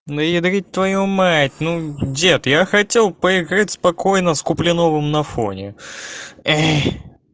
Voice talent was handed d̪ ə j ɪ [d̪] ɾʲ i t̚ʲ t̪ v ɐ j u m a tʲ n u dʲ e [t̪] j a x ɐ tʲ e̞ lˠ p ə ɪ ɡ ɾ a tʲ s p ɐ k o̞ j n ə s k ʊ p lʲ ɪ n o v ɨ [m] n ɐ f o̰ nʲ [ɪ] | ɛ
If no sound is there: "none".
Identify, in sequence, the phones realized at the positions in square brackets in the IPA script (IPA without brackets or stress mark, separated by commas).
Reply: d̪, t̪, m, ɪ